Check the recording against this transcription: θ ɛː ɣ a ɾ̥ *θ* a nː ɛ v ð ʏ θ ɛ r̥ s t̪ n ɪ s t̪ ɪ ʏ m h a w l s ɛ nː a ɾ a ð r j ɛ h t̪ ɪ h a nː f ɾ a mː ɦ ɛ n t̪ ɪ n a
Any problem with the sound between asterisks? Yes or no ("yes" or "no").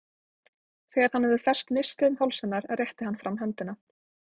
yes